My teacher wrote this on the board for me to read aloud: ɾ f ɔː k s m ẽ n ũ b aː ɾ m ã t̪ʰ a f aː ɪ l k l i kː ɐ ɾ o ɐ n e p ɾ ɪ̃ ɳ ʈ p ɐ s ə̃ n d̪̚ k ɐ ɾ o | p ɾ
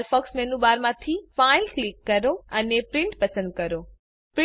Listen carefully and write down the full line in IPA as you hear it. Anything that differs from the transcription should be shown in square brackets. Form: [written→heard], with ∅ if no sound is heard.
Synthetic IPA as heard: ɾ f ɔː k s m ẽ n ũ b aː ɾ m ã t̪ʰ [a→i] f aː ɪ l k l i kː ɐ ɾ o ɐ n e p ɾ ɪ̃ ɳ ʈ p ɐ s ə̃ n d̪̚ k ɐ ɾ o | p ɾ